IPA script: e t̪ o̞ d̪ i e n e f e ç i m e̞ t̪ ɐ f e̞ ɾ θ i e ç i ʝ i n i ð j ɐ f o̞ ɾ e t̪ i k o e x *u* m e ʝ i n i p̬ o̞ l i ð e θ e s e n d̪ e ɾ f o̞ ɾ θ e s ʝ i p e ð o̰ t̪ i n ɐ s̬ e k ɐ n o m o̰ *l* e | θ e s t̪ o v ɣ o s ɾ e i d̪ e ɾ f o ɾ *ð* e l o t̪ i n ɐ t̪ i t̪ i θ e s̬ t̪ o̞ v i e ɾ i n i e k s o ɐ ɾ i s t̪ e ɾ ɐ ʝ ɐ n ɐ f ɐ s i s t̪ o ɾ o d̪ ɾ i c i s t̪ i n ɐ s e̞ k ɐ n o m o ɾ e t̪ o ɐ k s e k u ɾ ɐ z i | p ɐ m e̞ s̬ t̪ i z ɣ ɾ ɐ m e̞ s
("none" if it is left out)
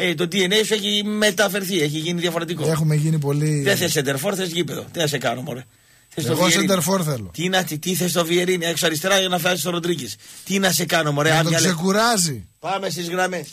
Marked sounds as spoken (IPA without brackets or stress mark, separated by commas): u, ɾ, θ